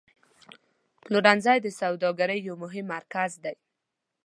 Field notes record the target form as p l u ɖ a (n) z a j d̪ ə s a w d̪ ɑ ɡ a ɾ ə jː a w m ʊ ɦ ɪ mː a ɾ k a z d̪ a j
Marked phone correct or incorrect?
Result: correct